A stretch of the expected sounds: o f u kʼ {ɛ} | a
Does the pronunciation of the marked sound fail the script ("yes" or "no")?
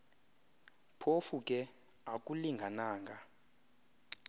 no